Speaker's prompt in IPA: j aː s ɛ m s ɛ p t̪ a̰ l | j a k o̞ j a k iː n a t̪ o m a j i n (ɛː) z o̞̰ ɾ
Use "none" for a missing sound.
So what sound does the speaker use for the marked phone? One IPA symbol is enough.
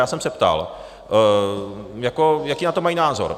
aː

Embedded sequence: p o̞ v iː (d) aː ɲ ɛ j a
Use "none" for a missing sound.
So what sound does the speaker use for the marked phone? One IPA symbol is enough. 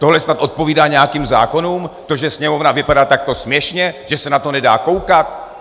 d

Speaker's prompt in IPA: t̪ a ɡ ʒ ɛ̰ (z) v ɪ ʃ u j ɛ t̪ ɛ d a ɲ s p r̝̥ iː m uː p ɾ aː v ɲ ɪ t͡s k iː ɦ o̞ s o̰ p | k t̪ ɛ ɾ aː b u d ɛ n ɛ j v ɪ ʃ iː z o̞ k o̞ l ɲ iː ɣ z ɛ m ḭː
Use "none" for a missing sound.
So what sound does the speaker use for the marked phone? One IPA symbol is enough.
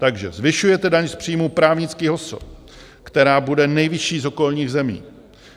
z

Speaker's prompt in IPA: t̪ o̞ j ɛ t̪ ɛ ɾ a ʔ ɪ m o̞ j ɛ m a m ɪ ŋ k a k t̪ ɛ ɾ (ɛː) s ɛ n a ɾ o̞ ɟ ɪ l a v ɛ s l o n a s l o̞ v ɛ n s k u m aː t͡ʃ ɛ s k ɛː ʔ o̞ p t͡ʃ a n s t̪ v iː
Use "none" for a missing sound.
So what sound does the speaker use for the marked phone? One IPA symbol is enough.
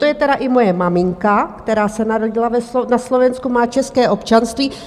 aː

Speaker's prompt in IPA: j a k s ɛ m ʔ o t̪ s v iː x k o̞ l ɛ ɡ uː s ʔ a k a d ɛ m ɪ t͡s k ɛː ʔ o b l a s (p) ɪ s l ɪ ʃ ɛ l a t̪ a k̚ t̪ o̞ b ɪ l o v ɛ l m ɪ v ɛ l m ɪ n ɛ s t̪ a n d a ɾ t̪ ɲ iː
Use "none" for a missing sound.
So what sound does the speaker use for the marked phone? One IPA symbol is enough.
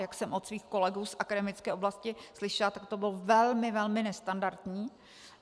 c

